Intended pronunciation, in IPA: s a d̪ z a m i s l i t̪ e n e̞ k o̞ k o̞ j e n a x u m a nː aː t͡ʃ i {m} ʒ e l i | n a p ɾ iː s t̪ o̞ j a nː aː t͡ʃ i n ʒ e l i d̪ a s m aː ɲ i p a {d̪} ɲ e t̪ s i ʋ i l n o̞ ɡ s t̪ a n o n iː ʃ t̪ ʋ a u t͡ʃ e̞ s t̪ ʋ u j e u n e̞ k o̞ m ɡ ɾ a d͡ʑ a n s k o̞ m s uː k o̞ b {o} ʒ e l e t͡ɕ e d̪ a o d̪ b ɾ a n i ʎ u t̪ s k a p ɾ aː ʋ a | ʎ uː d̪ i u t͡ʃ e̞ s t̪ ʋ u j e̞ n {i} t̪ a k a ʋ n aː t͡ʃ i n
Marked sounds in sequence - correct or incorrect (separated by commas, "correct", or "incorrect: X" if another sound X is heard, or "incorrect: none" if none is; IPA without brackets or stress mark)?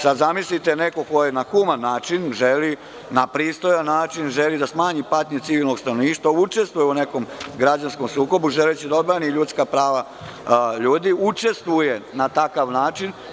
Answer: incorrect: n, incorrect: t̪, incorrect: u, incorrect: a